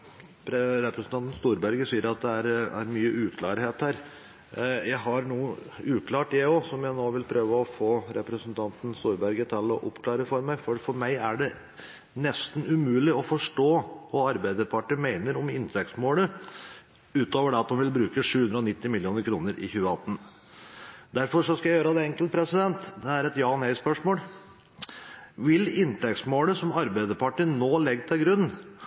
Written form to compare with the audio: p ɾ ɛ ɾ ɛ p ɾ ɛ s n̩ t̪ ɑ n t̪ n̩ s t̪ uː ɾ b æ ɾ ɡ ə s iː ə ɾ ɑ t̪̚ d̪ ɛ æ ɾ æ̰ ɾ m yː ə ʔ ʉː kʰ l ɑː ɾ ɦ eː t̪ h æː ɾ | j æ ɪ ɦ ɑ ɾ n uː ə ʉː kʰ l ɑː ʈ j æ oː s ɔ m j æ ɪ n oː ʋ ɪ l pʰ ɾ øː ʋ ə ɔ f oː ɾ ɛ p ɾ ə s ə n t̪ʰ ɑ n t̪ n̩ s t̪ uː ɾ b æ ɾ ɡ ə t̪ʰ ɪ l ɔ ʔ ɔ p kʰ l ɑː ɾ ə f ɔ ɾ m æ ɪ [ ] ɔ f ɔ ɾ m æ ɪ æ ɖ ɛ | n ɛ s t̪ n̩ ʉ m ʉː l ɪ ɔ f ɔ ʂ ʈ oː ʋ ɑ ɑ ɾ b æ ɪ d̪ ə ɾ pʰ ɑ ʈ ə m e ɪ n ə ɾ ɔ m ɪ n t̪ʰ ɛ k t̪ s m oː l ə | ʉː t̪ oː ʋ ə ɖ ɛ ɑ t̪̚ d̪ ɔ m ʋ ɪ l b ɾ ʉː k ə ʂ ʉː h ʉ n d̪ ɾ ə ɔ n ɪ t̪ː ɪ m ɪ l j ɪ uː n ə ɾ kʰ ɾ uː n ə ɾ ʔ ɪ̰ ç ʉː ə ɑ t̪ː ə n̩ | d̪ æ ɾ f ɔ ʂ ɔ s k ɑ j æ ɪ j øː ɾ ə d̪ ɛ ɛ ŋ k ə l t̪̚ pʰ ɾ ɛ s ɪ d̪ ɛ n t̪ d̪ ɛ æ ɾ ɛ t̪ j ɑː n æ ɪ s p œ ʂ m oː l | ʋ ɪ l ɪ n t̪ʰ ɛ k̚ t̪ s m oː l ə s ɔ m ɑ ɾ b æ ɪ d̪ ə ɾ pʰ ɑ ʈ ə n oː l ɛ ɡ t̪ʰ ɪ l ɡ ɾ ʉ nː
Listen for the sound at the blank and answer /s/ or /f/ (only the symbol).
f